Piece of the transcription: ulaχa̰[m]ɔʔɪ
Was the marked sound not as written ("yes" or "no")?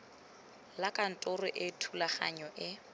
yes